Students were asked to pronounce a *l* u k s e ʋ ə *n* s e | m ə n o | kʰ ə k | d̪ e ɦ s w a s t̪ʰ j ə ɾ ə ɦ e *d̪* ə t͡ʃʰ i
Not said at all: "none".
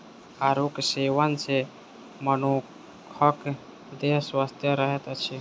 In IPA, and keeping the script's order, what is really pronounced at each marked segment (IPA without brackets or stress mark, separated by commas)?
ɾ, n, t̪